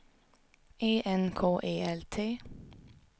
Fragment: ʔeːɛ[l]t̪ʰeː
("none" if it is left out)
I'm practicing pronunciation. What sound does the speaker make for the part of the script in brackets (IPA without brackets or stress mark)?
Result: l